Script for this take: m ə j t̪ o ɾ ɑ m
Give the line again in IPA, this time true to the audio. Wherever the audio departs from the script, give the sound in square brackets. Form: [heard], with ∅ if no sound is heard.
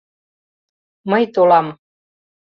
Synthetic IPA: m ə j t̪ o [l] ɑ m